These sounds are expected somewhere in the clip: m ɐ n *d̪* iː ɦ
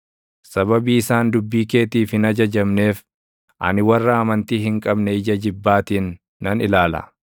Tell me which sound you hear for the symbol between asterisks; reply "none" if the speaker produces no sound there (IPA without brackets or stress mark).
t̪